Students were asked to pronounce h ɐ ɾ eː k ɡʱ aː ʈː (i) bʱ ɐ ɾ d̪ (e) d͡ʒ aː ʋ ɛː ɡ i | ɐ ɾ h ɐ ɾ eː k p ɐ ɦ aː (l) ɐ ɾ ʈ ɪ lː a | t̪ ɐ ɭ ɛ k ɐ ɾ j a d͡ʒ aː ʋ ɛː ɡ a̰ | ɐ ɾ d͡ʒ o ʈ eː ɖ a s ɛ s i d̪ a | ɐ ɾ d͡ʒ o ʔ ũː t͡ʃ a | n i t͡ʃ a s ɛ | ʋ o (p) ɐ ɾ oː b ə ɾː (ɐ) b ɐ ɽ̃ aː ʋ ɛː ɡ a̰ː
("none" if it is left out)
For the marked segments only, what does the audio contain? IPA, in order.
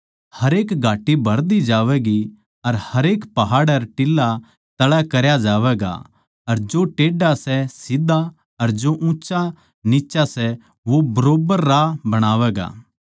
i, i, ɽ, b, a

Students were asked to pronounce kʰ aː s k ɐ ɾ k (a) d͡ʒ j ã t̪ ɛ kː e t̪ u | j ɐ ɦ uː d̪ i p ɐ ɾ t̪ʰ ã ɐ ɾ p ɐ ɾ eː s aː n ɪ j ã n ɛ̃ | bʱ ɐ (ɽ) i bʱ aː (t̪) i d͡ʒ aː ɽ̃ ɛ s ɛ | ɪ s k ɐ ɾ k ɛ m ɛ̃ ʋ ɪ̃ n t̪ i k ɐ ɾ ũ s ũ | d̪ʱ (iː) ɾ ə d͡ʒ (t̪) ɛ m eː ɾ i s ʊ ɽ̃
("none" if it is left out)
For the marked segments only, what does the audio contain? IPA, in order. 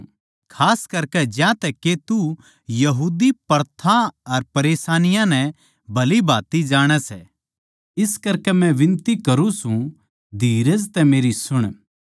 ɛ, l, t̪, iː, t̪

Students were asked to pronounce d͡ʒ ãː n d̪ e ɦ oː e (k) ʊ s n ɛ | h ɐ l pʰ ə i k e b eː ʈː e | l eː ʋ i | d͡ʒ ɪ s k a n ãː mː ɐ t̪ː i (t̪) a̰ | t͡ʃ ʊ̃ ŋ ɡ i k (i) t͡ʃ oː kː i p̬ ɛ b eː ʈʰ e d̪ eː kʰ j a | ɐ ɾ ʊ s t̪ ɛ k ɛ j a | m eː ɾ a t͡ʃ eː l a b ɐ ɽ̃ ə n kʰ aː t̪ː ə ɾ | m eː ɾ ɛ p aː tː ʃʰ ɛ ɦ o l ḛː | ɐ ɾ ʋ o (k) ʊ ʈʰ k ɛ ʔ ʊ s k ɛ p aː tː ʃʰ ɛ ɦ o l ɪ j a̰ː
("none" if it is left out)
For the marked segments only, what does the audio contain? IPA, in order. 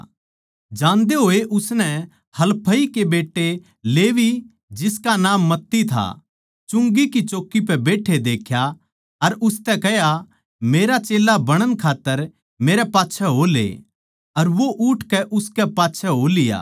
ʔ, t̪ʰ, i, ʔ

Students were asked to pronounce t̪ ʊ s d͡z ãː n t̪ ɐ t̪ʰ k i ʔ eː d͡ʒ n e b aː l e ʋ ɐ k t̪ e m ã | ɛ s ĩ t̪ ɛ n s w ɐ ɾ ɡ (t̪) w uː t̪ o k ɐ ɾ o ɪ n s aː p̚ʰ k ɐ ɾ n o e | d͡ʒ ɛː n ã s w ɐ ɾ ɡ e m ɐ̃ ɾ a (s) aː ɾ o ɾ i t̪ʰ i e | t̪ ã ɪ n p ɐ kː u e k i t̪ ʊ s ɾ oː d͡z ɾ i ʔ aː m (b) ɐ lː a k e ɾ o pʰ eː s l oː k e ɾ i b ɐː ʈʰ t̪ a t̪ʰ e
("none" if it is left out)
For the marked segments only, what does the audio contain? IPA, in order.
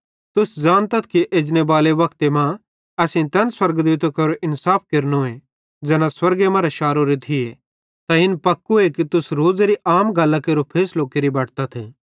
d̪, ʃ, ɡ

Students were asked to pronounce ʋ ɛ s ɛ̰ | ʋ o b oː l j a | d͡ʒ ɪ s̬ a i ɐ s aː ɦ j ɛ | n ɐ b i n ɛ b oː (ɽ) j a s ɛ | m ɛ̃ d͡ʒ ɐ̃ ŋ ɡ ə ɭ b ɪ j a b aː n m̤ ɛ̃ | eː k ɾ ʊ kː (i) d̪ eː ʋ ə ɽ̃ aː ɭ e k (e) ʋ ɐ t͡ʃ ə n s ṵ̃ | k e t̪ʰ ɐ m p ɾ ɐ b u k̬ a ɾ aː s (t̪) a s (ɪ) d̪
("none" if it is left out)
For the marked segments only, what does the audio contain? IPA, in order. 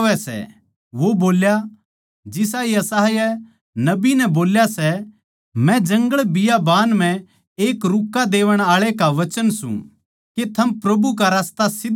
l, a, a, t̪, ɪ

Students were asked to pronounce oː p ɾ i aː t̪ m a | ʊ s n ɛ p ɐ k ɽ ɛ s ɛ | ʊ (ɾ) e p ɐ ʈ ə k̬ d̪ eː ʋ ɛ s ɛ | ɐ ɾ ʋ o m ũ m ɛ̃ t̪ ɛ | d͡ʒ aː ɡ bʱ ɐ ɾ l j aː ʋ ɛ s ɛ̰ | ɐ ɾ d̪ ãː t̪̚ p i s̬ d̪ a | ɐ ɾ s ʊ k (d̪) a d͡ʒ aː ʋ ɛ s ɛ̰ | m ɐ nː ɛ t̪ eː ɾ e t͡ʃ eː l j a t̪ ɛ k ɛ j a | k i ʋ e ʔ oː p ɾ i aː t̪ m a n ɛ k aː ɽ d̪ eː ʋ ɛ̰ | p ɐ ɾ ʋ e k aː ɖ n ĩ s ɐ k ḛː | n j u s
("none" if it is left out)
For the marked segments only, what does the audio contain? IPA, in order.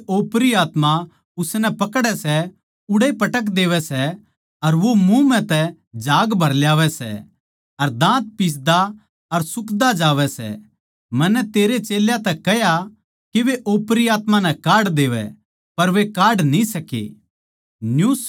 ɽ, d̪

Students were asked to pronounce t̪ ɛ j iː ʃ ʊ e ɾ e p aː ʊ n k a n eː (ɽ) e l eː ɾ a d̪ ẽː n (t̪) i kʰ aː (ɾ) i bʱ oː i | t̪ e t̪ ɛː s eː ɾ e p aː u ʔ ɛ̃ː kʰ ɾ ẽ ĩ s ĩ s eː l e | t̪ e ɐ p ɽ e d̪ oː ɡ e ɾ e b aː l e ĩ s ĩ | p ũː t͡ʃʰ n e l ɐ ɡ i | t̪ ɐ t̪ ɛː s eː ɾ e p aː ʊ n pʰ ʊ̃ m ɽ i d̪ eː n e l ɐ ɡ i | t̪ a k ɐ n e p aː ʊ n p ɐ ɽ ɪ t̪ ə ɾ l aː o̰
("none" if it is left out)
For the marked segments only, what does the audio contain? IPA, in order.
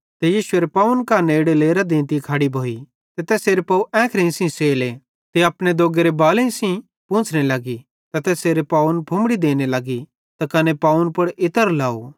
ɽ, t̪, ɽ

